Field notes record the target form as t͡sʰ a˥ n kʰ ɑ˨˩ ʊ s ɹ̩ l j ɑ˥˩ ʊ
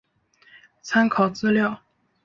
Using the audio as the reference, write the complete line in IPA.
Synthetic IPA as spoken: t͡sʰ a˥ n kʰ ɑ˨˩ ʊ t͡s ɹ̩ l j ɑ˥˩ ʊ